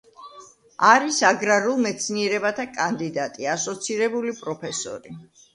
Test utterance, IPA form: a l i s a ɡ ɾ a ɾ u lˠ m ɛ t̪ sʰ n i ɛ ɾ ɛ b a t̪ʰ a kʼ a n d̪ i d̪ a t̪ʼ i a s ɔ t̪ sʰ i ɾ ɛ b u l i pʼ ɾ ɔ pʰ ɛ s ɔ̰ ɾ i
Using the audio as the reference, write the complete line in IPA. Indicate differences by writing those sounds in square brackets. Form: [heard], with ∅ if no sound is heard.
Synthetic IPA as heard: a [ɾ] i s a ɡ ɾ a ɾ u lˠ m ɛ t̪ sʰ n i ɛ ɾ ɛ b a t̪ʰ a kʼ a n d̪ i d̪ a t̪ʼ i a s ɔ t̪ sʰ i ɾ ɛ b u l i pʼ ɾ ɔ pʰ ɛ s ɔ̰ ɾ i

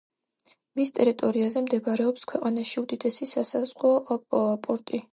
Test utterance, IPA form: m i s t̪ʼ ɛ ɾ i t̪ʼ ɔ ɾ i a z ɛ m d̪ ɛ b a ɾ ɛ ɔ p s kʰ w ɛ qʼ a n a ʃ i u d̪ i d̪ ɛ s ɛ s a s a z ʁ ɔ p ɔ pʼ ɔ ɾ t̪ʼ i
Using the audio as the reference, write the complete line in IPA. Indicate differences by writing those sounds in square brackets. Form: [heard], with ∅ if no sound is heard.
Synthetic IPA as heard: m i s t̪ʼ ɛ ɾ i t̪ʼ ɔ ɾ i a z ɛ m d̪ ɛ b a ɾ ɛ ɔ p s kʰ w ɛ qʼ a n a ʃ i u d̪ i d̪ ɛ s [i] s a s a z ʁ ɔ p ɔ pʼ ɔ ɾ t̪ʼ i

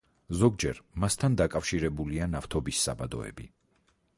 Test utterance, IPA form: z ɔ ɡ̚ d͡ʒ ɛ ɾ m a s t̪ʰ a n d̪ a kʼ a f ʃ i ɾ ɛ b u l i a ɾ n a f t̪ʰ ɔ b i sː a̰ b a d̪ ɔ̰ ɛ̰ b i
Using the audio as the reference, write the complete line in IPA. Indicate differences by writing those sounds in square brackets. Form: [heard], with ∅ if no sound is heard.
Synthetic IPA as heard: z ɔ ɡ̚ d͡ʒ ɛ ɾ m a s t̪ʰ a n d̪ a kʼ a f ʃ i ɾ ɛ b u l i a [∅] n a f t̪ʰ ɔ b i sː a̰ b a d̪ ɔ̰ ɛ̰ b i

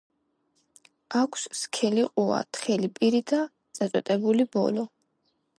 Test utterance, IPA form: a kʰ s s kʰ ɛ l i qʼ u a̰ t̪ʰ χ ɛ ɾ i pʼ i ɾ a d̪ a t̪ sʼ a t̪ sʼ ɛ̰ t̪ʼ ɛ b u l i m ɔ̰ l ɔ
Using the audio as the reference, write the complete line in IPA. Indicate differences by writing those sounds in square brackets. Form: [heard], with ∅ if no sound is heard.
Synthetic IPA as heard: a kʰ s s kʰ ɛ l i qʼ u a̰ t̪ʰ χ ɛ [l] i pʼ i ɾ [i] d̪ a t̪ sʼ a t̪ sʼ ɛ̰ t̪ʼ ɛ b u l i [b] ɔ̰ l ɔ

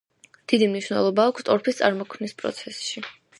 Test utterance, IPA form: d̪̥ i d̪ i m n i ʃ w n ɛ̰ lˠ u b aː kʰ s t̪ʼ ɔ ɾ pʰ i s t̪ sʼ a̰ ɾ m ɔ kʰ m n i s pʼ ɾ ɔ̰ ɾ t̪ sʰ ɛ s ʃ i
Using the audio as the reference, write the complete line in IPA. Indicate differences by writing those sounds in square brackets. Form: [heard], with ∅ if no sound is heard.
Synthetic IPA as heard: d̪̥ i d̪ i m n i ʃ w n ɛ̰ lˠ [ɔ] b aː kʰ s t̪ʼ ɔ ɾ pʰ i s t̪ sʼ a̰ ɾ m ɔ kʰ m n i s pʼ ɾ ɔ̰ [∅] t̪ sʰ ɛ s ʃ i

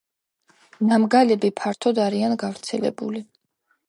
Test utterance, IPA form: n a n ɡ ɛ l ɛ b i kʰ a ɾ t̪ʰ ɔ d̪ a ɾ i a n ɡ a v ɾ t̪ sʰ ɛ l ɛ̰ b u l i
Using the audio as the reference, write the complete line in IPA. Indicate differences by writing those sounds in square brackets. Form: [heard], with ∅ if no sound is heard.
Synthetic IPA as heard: n a [m] ɡ [a] l ɛ b i [pʰ] a ɾ t̪ʰ ɔ d̪ a ɾ i a n ɡ a v ɾ t̪ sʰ ɛ l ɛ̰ b u l i

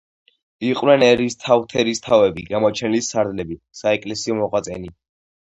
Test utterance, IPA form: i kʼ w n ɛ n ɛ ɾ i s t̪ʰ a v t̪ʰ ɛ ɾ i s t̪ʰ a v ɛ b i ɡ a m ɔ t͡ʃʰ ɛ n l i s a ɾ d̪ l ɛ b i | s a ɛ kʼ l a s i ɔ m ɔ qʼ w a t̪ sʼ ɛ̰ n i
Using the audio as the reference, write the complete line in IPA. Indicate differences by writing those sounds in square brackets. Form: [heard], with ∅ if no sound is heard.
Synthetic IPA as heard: i [qʼ] w n ɛ n ɛ ɾ i s t̪ʰ a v t̪ʰ ɛ ɾ i s t̪ʰ a v ɛ b i ɡ a m ɔ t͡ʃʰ ɛ n l i s a ɾ d̪ l ɛ b i | s a ɛ kʼ l [ɛ] s i ɔ m ɔ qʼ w a t̪ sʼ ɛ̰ n i

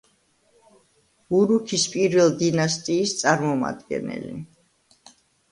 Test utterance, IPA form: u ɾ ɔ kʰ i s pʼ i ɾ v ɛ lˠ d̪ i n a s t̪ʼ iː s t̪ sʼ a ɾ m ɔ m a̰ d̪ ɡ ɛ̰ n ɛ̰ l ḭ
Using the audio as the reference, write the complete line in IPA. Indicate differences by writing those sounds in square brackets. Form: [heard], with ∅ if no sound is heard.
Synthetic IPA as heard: u ɾ [u] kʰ i s pʼ i ɾ v ɛ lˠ d̪ i n a s t̪ʼ iː s t̪ sʼ a ɾ m ɔ m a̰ d̪ ɡ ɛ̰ n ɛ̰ l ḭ

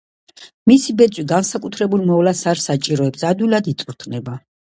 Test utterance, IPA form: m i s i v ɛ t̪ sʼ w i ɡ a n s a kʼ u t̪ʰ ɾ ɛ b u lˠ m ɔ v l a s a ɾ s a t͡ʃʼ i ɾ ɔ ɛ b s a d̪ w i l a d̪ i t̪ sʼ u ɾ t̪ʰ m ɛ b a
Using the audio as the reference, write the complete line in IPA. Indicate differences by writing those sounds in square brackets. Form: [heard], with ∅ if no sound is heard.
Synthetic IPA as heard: m i s i [b] ɛ t̪ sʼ w i ɡ a n s a kʼ u t̪ʰ ɾ ɛ b u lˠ m ɔ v l a s a ɾ s a t͡ʃʼ i ɾ ɔ ɛ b s a d̪ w i l a d̪ i t̪ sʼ u ɾ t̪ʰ [n] ɛ b a

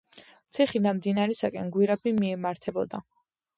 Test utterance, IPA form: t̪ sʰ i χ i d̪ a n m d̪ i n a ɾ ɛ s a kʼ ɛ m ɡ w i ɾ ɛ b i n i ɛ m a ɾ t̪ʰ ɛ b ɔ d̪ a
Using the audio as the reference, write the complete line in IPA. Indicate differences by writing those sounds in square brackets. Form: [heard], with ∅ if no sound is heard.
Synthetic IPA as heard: t̪ sʰ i χ i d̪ a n m d̪ i n a ɾ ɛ s a kʼ ɛ [n] ɡ w i ɾ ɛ b i [m] i ɛ m a ɾ t̪ʰ ɛ b ɔ d̪ a

